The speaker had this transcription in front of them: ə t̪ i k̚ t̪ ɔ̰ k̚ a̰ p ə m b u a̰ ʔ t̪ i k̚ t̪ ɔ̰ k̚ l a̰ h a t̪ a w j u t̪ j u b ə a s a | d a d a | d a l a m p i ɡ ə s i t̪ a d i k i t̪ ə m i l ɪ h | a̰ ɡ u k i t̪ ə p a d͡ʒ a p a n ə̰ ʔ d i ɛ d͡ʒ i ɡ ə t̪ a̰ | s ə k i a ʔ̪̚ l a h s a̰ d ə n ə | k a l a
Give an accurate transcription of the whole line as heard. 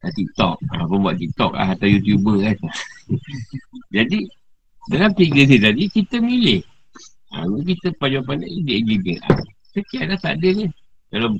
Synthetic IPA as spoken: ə t̪ i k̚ t̪ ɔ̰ k̚ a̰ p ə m b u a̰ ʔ t̪ i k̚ t̪ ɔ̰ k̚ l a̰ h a t̪ a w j u t̪ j u b ə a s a | d͡ʒ a d i | d a l a m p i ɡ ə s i t̪ a d i k i t̪ ə m i l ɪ h | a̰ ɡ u k i t̪ ə p a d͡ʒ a p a n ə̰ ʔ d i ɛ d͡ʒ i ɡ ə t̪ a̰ | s ə k i a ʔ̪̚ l a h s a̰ d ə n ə | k a l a